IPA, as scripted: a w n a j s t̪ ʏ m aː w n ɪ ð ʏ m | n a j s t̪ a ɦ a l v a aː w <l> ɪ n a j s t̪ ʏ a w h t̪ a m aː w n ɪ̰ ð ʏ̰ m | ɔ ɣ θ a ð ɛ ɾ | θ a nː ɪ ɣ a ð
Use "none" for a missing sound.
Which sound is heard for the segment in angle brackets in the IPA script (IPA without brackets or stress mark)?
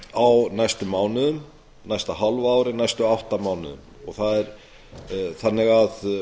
ɾ